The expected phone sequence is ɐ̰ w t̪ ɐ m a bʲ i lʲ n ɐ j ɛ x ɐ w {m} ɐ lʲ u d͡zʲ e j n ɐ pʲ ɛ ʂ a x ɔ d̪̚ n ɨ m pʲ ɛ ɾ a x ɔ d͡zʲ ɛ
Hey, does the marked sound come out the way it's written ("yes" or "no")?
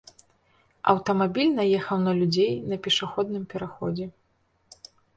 no